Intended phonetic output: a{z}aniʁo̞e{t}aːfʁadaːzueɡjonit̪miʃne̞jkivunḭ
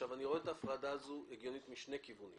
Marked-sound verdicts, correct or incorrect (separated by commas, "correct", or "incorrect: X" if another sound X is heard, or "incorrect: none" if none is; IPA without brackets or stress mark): incorrect: v, correct